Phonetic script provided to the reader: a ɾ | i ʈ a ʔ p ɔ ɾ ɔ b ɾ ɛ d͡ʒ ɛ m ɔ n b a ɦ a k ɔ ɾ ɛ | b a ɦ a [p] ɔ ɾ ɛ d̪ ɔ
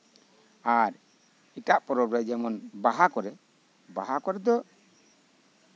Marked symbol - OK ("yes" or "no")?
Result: no